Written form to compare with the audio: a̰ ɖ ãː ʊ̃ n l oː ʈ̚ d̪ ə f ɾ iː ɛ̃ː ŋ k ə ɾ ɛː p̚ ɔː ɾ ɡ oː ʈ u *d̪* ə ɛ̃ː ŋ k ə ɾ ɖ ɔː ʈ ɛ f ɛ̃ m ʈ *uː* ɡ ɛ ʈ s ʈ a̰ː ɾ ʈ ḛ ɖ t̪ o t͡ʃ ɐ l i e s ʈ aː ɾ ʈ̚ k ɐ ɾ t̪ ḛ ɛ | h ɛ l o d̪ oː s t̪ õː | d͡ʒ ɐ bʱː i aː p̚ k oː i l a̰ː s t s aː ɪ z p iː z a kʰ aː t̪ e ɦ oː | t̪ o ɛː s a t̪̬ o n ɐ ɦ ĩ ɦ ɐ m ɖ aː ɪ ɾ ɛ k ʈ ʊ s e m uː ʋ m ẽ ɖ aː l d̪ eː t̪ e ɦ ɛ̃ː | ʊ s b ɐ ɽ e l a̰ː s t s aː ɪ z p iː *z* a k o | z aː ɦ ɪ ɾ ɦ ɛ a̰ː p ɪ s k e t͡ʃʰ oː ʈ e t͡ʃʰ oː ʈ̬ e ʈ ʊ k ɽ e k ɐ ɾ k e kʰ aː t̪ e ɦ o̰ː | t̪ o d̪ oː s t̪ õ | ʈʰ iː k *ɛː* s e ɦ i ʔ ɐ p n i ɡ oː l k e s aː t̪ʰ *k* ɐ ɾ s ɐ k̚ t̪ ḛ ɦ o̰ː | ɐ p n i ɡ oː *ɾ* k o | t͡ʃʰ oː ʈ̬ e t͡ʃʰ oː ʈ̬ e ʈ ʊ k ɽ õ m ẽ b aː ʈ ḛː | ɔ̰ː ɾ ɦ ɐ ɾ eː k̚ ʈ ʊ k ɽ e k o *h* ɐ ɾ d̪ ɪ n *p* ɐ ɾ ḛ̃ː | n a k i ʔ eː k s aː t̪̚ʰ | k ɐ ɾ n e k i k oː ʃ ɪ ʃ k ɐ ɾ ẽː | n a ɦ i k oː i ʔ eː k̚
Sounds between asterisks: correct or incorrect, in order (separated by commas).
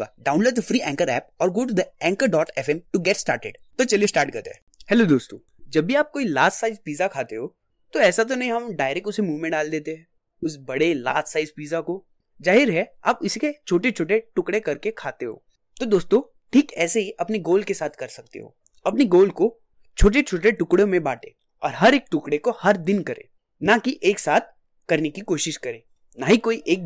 correct, incorrect, correct, correct, correct, incorrect, correct, incorrect